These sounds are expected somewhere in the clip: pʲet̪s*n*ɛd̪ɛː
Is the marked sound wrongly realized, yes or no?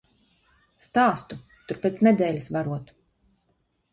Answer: no